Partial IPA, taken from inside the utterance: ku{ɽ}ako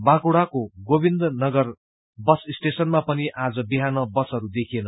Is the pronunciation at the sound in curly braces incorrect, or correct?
correct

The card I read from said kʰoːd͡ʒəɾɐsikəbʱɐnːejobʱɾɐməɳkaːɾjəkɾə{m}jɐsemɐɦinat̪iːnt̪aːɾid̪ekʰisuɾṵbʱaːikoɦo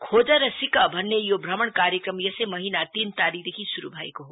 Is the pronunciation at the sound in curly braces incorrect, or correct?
correct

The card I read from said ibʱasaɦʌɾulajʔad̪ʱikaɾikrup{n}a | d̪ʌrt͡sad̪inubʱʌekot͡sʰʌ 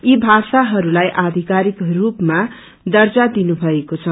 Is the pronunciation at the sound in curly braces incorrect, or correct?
incorrect: m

